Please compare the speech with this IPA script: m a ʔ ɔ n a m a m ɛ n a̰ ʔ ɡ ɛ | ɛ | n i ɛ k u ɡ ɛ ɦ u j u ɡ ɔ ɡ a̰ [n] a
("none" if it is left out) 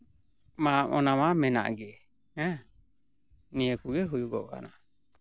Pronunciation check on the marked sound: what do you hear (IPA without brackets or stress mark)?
n